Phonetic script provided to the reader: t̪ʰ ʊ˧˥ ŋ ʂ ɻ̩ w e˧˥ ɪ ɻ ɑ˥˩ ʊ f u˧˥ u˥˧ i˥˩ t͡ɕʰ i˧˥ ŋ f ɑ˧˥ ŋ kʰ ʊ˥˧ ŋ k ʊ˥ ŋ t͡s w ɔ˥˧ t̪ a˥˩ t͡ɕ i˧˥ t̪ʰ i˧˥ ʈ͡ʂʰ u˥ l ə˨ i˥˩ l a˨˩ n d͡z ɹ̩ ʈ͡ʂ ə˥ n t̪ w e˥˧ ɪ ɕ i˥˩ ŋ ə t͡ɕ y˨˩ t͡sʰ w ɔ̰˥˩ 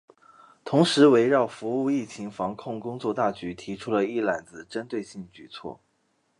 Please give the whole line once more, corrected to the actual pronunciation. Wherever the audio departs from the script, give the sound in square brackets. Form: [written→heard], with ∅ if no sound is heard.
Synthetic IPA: t̪ʰ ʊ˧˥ ŋ ʂ ɻ̩ w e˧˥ ɪ ɻ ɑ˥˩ ʊ f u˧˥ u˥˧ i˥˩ t͡ɕʰ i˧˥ ŋ f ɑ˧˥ ŋ kʰ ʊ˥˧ ŋ k ʊ˥ ŋ t͡s w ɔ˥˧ t̪ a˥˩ t͡ɕ [i˧˥→y˧˥] t̪ʰ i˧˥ ʈ͡ʂʰ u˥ l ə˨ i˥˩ l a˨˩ n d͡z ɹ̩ ʈ͡ʂ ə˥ n t̪ w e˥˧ ɪ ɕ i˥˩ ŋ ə t͡ɕ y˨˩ t͡sʰ w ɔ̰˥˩

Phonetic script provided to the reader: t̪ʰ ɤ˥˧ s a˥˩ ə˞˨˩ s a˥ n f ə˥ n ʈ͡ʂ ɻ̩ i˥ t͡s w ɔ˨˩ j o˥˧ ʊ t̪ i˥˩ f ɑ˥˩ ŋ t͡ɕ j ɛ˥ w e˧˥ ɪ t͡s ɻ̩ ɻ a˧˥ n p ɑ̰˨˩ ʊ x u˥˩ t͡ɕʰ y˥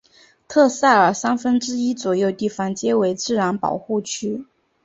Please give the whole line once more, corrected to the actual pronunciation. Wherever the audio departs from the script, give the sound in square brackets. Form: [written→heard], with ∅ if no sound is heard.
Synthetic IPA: t̪ʰ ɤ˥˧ s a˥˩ ə˞˨˩ s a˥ n f ə˥ n ʈ͡ʂ ɻ̩ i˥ t͡s w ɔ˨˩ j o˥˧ ʊ t̪ i˥˩ f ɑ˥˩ ŋ t͡ɕ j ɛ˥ w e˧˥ ɪ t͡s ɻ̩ ɻ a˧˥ n p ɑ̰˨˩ ʊ x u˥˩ t͡ɕʰ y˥

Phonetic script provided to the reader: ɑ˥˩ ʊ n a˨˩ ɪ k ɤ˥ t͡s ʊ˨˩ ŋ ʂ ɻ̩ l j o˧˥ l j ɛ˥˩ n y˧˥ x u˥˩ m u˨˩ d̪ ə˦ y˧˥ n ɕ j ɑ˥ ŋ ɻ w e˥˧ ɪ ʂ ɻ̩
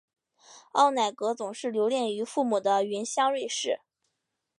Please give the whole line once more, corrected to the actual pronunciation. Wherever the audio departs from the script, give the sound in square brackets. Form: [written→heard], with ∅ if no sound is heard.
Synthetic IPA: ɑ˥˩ ʊ n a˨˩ ɪ k [ɤ˥→ɤ˧˥] t͡s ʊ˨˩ ŋ ʂ ɻ̩ l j o˧˥ l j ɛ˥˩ n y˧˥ [x→f] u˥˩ m u˨˩ d̪ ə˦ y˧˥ n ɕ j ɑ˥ ŋ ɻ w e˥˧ ɪ ʂ ɻ̩

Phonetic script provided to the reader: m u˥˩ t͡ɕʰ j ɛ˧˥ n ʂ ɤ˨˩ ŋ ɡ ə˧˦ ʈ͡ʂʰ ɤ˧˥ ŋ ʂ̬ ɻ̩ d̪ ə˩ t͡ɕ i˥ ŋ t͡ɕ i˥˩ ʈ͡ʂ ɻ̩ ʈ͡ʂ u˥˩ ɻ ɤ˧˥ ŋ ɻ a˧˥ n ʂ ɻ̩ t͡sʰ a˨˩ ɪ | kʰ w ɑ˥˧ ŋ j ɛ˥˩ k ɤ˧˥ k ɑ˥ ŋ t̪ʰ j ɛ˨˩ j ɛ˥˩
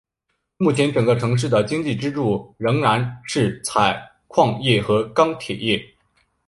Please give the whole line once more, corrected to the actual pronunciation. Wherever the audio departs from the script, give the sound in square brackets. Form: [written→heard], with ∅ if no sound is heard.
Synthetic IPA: m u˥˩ t͡ɕʰ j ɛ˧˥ n [ʂ→ʈ͡ʂ] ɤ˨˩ ŋ ɡ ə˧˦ ʈ͡ʂʰ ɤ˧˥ ŋ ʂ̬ ɻ̩ d̪ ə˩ t͡ɕ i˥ ŋ t͡ɕ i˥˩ ʈ͡ʂ ɻ̩ ʈ͡ʂ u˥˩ ɻ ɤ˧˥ ŋ ɻ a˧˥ n ʂ ɻ̩ t͡sʰ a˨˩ ɪ | kʰ w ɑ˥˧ ŋ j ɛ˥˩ [k→x] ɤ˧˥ k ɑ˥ ŋ t̪ʰ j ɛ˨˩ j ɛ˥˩

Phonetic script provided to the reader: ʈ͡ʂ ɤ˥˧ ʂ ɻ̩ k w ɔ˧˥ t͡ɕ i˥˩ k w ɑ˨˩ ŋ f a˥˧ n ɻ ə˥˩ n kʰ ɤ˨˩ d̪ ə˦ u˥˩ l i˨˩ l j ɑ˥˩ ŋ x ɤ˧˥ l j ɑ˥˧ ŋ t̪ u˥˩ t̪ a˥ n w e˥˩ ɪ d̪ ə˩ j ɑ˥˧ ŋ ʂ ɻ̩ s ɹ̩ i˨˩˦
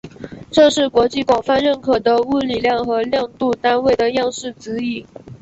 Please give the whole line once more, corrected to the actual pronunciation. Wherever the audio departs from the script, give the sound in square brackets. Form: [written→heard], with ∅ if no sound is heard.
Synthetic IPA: ʈ͡ʂ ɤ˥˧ ʂ ɻ̩ k w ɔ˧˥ t͡ɕ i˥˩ k w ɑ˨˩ ŋ f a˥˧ n ɻ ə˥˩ n kʰ ɤ˨˩ d̪ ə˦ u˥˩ l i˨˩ l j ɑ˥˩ ŋ x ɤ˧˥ l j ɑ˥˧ ŋ t̪ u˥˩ t̪ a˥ n w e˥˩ ɪ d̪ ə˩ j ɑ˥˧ ŋ ʂ ɻ̩ [s→t͡s] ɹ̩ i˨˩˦

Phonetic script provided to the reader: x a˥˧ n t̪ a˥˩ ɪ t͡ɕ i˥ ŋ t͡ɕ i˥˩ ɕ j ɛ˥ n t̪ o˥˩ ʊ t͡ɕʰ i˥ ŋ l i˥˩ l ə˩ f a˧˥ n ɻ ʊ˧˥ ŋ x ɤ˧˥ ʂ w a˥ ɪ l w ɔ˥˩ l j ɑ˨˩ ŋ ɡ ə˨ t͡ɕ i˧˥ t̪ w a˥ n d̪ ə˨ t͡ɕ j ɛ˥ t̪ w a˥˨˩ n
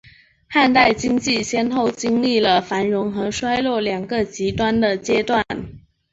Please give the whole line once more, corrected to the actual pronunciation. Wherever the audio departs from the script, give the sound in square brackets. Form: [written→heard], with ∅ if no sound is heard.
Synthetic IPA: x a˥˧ n t̪ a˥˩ ɪ t͡ɕ i˥ ŋ t͡ɕ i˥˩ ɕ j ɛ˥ n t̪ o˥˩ ʊ [t͡ɕʰ→t͡ɕ] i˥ ŋ l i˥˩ l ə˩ f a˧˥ n ɻ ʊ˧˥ ŋ x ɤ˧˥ ʂ w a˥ ɪ l w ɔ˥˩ l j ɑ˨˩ ŋ ɡ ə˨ t͡ɕ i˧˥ t̪ w a˥ n d̪ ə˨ t͡ɕ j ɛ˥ t̪ w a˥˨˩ n

